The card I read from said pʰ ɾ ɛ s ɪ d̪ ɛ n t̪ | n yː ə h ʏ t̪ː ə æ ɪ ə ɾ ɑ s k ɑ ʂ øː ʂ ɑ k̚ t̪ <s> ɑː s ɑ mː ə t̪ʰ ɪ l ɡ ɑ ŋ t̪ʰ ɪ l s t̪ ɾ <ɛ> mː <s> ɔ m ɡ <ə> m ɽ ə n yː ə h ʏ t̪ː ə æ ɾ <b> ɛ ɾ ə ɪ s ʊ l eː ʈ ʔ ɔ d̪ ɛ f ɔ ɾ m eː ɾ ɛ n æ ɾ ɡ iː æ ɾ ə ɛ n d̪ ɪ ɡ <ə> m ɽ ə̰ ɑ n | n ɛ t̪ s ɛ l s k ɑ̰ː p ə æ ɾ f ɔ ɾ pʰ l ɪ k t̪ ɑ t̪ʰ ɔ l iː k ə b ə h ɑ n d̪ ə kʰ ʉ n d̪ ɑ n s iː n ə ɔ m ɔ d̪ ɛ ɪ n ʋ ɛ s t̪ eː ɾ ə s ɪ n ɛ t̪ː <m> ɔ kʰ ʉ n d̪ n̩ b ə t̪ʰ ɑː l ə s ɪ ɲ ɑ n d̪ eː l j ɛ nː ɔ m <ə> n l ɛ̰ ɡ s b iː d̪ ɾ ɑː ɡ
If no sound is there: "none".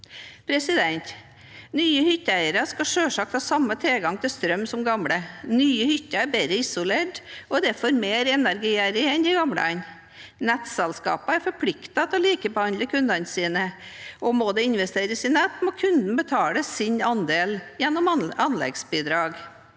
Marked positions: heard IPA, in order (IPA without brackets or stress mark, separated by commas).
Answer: h, œ, s, ɑ, b, ɑ, m, ɑ